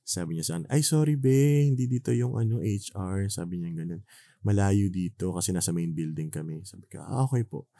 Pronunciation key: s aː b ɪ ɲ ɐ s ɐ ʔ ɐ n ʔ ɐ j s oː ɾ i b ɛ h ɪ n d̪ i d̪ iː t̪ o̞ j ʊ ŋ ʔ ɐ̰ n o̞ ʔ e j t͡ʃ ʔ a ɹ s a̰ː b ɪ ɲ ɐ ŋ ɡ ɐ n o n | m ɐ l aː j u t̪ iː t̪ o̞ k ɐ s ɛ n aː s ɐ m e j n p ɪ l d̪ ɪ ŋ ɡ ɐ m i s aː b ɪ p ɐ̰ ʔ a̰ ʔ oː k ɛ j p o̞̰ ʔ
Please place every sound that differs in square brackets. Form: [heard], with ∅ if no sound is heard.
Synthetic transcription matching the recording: s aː b ɪ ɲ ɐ s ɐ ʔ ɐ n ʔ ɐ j s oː ɾ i b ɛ h ɪ n d̪ i d̪ iː t̪ o̞ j ʊ ŋ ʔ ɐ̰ n o̞ ʔ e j t͡ʃ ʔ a ɹ s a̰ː b ɪ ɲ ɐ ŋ ɡ ɐ n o n | m ɐ l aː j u [d̪] iː t̪ o̞ k ɐ s ɛ n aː s ɐ m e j n [b] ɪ l d̪ ɪ ŋ [k] ɐ m [ɛ] s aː b ɪ [k] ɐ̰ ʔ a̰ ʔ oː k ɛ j p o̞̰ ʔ